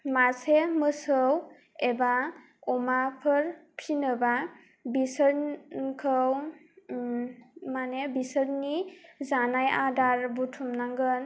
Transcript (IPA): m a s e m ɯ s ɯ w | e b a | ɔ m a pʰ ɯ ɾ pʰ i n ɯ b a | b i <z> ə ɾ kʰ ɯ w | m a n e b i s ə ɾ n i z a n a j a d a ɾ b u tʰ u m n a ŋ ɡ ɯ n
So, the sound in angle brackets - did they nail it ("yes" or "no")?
no